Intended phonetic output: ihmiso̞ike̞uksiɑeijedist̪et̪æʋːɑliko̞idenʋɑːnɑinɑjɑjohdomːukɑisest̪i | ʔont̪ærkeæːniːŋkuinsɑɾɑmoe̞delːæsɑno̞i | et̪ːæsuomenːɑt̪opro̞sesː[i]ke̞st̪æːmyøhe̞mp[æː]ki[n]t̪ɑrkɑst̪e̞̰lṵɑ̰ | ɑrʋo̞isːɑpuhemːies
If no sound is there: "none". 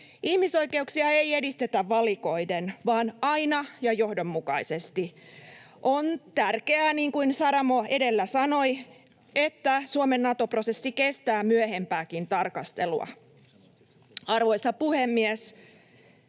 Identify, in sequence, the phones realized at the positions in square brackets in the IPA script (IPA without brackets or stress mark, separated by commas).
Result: i, æː, n